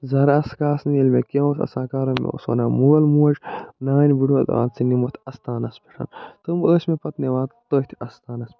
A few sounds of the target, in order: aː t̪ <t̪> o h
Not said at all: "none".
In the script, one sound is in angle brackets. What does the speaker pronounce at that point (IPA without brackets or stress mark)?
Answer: t̪